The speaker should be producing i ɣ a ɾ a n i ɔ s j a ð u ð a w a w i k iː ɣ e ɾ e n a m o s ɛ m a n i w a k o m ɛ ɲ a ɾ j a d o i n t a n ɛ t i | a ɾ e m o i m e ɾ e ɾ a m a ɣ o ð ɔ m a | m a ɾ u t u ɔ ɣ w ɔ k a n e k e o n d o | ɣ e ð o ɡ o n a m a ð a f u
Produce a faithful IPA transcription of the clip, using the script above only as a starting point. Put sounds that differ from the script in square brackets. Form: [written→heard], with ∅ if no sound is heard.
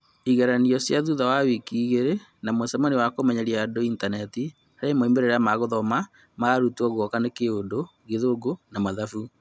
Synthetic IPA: i ɣ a ɾ a n i ɔ s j a ð u ð a w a w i k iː ɣ e ɾ e n a m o s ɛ m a n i w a k o m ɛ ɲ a ɾ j a d o i n t a n ɛ t i | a ɾ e m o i m e ɾ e ɾ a m a ɣ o ð ɔ m a | m a ɾ u t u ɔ ɣ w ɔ k a n e k e o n d o | ɣ e ð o ɡ o n a m a ð a f u

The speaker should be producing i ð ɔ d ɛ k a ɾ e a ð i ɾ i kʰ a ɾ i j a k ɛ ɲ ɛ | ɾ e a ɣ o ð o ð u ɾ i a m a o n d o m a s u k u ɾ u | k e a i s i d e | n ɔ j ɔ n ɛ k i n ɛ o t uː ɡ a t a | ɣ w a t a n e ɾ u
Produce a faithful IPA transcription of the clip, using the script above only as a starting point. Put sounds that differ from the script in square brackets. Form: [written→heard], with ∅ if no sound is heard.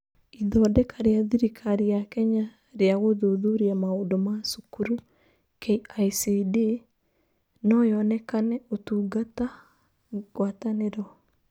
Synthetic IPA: i ð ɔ d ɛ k a ɾ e a ð i ɾ i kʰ a ɾ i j a k ɛ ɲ [ɛ→a] | ɾ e a ɣ o ð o ð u ɾ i a m a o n d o m a s u k u ɾ u | k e a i s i d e | n ɔ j ɔ n ɛ k [i→a] n ɛ o t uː ɡ a t a | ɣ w a t a n e ɾ [u→ɔ]

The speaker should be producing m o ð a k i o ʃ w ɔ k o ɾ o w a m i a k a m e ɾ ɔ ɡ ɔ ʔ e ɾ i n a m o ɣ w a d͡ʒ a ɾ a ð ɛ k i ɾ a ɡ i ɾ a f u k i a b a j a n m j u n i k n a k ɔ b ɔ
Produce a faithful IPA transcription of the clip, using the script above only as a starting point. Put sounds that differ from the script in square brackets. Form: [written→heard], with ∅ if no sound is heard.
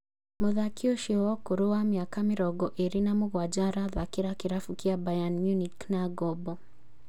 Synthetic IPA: m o ð a k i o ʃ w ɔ k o ɾ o w a m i a k a m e ɾ ɔ ɡ ɔ ʔ e ɾ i n a m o ɣ w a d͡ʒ a ɾ a ð [ɛ→a] k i ɾ a [ɡ→k] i ɾ a f u k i a b a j a n m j u n i k n a [k→ɡ] ɔ b ɔ

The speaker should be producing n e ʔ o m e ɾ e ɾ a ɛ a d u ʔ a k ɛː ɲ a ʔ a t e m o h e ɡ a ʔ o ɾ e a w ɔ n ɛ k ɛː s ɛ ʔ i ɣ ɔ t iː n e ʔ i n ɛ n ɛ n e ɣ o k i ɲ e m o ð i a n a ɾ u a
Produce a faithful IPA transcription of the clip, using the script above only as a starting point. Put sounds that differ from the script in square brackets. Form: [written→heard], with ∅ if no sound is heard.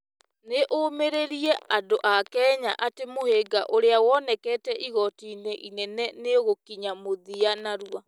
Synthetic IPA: n e ʔ o m e ɾ e ɾ [a→i] ɛ a d [u→o] ʔ a k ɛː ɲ a ʔ a t e m o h e ɡ a ʔ o ɾ e a w ɔ n ɛ k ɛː [s→t] ɛ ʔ i ɣ ɔ t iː n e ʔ i n ɛ n ɛ n e ɣ o k i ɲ [e→a] m o ð i a n a ɾ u a

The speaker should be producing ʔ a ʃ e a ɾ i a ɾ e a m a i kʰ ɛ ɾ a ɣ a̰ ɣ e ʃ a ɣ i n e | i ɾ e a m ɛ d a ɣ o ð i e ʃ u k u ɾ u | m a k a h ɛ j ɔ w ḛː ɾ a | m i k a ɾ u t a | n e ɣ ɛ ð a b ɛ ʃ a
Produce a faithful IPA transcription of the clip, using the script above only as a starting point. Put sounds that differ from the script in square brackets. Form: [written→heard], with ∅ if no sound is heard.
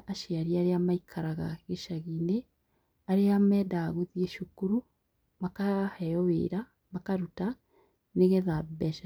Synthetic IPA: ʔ a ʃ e a ɾ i a ɾ e a m a i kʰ [ɛ→a] ɾ a ɣ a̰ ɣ e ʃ a ɣ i n e | [i→a] ɾ e a m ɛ d a ɣ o ð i e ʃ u k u ɾ u | m a k a h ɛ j ɔ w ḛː ɾ a | m [i→a] k a ɾ u t a | n e ɣ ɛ ð a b ɛ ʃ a

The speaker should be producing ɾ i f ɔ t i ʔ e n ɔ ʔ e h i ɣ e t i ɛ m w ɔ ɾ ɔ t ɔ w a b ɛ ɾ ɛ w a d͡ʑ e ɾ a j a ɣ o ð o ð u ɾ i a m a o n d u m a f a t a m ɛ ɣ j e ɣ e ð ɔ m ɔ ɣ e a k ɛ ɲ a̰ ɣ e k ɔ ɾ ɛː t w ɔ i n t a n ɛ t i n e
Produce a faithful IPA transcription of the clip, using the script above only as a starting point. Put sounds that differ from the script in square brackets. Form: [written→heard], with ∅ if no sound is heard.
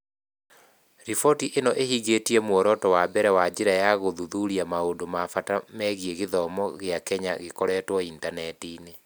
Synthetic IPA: ɾ i f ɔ t i ʔ e n ɔ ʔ e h i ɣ e t i ɛ m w ɔ ɾ ɔ t ɔ w a b ɛ ɾ ɛ w a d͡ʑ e ɾ a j a ɣ o ð [o→u] ð u ɾ i a m a o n d [u→o] m a f a t a m ɛ ɣ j e ɣ e ð ɔ m ɔ ɣ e a k ɛ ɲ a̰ ɣ e k ɔ ɾ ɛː t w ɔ i n t a n ɛ t i n e

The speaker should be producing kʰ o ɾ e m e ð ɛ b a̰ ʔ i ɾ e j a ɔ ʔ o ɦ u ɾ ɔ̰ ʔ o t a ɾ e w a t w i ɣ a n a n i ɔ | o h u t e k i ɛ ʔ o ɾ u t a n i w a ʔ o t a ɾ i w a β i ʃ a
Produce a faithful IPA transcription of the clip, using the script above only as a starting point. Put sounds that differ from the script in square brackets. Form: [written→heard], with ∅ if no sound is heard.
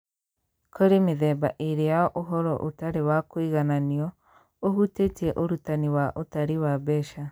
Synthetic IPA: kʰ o ɾ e m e ð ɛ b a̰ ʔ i ɾ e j a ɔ ʔ o ɦ [u→ɔ] ɾ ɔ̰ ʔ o t a ɾ e w a [t→k] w i ɣ a n a n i ɔ | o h u t e [k→t] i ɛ ʔ o ɾ u t a n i w a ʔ o t a ɾ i w a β [i→ɛ] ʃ a

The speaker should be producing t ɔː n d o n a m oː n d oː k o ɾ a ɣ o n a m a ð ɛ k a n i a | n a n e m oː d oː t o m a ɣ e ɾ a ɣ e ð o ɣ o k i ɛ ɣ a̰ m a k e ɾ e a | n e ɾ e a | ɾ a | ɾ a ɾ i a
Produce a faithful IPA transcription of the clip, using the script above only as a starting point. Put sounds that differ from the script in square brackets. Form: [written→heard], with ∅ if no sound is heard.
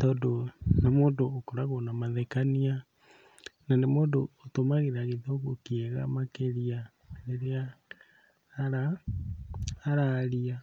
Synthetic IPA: t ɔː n d o n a m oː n d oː k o ɾ a ɣ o n a m a ð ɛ k a n i a | n a n e m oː d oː t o m a ɣ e ɾ a ɣ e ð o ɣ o k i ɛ ɣ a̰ m a k e ɾ [e→i] a | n e ɾ e a | ɾ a | ɾ a ɾ i a

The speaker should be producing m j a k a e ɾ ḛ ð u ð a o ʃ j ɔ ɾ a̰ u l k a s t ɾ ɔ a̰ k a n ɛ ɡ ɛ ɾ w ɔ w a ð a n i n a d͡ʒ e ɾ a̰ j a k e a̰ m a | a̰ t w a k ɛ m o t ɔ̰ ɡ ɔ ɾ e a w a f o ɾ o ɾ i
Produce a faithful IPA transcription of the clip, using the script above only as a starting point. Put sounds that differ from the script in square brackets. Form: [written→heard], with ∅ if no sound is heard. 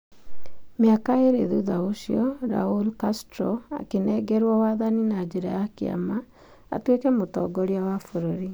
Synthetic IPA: m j a k a e ɾ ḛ ð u ð a o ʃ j ɔ ɾ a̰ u l k a s t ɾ ɔ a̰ k [a→e] n ɛ ɡ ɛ ɾ w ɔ w a ð a n i n a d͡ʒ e ɾ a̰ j a k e a̰ m a | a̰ t w [a→e] k ɛ m o t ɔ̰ ɡ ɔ ɾ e a w a f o ɾ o ɾ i

